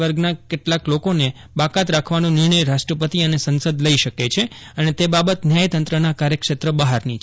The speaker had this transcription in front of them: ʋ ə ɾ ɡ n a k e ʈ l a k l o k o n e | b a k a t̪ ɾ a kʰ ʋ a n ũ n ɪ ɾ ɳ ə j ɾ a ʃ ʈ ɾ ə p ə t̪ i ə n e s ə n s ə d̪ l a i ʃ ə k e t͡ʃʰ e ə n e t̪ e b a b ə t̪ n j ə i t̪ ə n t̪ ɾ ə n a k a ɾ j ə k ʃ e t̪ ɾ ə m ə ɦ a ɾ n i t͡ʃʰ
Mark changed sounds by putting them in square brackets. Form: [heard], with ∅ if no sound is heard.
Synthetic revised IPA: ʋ ə ɾ ɡ n a k e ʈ l a k l o k o n e | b a k a t̪ ɾ a kʰ ʋ a n ũ n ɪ ɾ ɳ ə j ɾ a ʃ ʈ ɾ ə p ə t̪ i ə n e s ə n s ə d̪ l [ə] i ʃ ə k e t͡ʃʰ e ə n e t̪ e b a b ə t̪ n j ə [j] t̪ ə n t̪ ɾ ə n a k a ɾ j ə k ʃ e t̪ ɾ ə [b] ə ɦ a ɾ n i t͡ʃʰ

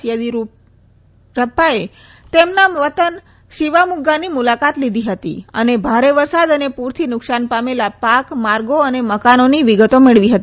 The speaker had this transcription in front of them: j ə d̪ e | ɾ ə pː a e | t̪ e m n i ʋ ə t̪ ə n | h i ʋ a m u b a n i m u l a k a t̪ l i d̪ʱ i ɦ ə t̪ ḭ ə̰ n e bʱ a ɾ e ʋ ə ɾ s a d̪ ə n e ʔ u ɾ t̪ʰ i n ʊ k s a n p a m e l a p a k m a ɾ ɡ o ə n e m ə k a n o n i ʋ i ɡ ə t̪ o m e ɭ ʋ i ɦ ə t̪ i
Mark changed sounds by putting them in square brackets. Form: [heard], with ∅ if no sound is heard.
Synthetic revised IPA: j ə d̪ [i] | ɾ ə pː a e | t̪ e m n [a] ʋ ə t̪ ə n | [ʃ] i ʋ a m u [ɡ] a n i m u l a k a t̪ l i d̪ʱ i ɦ ə t̪ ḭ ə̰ n e bʱ a ɾ e ʋ ə ɾ s a d̪ ə n e [p] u ɾ t̪ʰ i n ʊ k s a n p a m e l a p a k m a ɾ ɡ o ə n e m ə k a n o n i ʋ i ɡ ə t̪ o m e ɭ ʋ i ɦ ə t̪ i

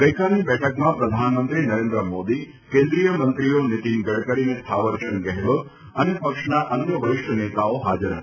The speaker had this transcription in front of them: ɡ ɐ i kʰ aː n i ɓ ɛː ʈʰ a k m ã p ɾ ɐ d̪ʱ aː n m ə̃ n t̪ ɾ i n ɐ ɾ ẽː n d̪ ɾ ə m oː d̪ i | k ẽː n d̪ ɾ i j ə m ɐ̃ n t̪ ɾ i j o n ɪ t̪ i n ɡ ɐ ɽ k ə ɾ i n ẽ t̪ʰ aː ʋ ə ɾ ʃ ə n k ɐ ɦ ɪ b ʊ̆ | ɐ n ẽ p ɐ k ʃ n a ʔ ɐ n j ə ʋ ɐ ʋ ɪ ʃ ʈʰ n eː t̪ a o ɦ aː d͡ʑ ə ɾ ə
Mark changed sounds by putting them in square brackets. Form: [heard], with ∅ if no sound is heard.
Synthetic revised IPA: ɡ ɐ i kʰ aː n i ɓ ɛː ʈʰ [ə] k m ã p ɾ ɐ d̪ʱ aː n m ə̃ n t̪ ɾ i n ɐ ɾ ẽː n d̪ ɾ ə m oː d̪ i | k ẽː n d̪ ɾ i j ə m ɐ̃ n t̪ ɾ i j o n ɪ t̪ i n ɡ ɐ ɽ k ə ɾ i n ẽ t̪ʰ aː ʋ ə ɾ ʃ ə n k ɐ ɦ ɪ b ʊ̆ | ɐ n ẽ p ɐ k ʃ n a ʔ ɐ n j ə ʋ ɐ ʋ ɪ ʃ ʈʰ n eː t̪ a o ɦ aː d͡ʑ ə ɾ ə

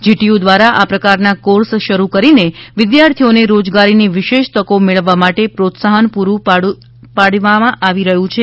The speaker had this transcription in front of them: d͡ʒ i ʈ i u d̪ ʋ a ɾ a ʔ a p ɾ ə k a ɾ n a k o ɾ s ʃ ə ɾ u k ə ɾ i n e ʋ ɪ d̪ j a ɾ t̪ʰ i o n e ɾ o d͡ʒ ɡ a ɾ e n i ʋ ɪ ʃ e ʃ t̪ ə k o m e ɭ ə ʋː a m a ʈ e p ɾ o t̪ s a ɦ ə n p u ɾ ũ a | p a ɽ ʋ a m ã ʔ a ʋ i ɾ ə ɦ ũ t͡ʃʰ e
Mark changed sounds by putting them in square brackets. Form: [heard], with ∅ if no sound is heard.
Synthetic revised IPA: d͡ʒ i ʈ i u d̪ ʋ a ɾ a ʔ a p ɾ ə k a ɾ n a k o ɾ s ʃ ə ɾ u k ə ɾ i n e ʋ ɪ d̪ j a ɾ t̪ʰ i o n e ɾ o d͡ʒ ɡ a ɾ [i] n i ʋ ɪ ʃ e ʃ t̪ ə k o m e ɭ ə ʋː a m a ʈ e p ɾ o t̪ s a ɦ ə n p u ɾ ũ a | p a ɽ ʋ a m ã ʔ a ʋ i ɾ ə ɦ ũ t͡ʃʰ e

